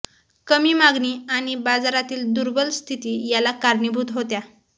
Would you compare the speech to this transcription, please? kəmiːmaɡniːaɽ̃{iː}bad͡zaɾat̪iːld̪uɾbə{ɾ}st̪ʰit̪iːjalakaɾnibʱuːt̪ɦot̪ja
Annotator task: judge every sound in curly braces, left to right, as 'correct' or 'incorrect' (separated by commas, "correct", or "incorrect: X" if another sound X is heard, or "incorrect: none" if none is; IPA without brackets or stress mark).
incorrect: i, incorrect: l